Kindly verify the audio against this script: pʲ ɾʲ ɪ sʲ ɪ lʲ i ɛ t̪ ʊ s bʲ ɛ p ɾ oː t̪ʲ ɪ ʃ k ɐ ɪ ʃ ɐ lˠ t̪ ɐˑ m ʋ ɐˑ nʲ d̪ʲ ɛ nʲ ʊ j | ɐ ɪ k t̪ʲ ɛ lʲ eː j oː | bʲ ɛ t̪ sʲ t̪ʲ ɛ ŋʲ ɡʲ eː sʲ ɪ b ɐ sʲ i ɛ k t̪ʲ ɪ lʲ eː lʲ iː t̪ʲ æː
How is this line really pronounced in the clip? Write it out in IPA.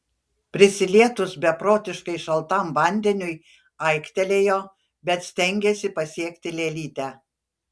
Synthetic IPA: pʲ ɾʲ ɪ sʲ ɪ lʲ i ɛ t̪ ʊ s bʲ ɛ p ɾ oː t̪ʲ ɪ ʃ k ɐ ɪ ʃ ɐ lˠ t̪ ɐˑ m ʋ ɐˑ nʲ d̪ʲ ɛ nʲ ʊ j | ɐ ɪ k t̪ʲ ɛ lʲ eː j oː | bʲ ɛ t̪ sʲ t̪ʲ ɛ ŋʲ ɡʲ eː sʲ ɪ p ɐ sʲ i ɛ k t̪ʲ ɪ lʲ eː lʲ iː t̪ʲ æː